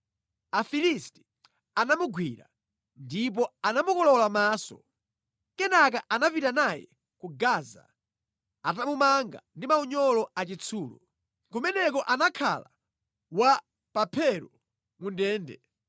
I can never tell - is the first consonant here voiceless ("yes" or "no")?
yes